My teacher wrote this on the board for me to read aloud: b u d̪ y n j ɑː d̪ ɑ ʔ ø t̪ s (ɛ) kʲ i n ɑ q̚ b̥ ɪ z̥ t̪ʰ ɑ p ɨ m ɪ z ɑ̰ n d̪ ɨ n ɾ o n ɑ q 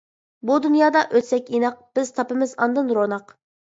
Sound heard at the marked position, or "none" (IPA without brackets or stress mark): ɛ